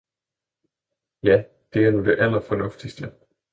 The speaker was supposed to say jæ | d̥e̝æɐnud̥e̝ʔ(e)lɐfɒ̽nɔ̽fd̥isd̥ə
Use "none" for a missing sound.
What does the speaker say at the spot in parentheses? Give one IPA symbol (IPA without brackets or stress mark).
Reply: æ